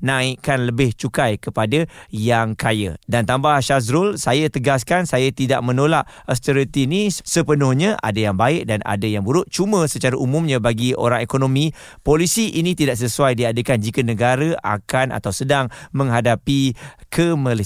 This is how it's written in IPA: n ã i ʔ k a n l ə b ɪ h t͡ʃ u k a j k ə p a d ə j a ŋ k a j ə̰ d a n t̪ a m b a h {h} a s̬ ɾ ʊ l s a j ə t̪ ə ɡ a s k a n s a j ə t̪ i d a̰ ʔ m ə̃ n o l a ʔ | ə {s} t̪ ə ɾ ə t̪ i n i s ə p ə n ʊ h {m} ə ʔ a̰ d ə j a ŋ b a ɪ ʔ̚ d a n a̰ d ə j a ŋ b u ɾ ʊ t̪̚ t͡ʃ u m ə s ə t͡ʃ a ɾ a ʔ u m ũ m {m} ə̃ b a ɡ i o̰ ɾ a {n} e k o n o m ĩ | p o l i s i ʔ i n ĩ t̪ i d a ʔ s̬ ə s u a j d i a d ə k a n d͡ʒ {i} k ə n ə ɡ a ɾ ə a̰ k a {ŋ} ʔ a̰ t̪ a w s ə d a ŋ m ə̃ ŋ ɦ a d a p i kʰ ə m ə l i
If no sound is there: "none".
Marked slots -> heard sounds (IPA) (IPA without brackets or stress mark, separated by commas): ʃ, s, ɲ, ɲ, ŋ, i, n